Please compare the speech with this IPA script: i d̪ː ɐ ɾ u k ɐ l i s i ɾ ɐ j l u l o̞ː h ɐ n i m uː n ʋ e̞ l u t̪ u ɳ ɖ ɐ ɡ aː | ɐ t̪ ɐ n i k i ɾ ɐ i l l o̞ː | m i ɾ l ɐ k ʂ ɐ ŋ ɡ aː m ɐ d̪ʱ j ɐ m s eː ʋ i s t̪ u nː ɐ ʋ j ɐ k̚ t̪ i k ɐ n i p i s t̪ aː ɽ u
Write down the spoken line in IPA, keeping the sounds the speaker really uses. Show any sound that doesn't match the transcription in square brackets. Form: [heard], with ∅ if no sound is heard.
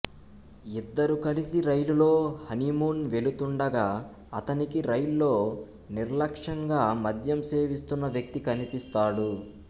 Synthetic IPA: i d̪ː ɐ ɾ u k ɐ l i s i ɾ ɐ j l u l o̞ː h ɐ n i m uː n ʋ e̞ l u t̪ u ɳ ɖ ɐ ɡ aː | ɐ t̪ ɐ n i k i ɾ ɐ [j] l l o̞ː | [n] i ɾ l ɐ k ʂ ɐ ŋ ɡ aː m ɐ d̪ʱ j ɐ m s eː ʋ i s t̪ u nː ɐ ʋ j ɐ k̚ t̪ i k ɐ n i p i s t̪ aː ɽ u